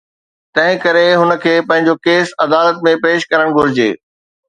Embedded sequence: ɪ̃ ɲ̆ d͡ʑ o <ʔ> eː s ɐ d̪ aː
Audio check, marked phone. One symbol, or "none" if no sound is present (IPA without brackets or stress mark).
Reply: k